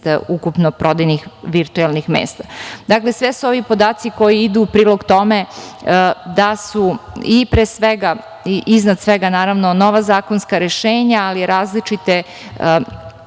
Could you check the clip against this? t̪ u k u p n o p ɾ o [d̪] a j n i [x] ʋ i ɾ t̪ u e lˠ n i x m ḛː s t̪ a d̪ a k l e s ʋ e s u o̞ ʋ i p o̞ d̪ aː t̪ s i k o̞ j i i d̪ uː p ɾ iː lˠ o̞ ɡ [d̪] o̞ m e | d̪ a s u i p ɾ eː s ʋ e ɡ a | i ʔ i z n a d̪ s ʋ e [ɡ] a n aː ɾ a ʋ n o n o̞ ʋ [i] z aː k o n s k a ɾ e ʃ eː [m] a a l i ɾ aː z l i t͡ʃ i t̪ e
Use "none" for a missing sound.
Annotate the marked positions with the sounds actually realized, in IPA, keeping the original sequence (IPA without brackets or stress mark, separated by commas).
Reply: d̪, x, t̪, ɡ, a, ɲ